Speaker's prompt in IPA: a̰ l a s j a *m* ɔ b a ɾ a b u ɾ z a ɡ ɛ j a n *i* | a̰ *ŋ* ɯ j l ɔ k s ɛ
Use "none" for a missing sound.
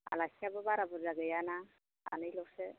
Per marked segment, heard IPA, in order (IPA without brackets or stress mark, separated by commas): b, a, n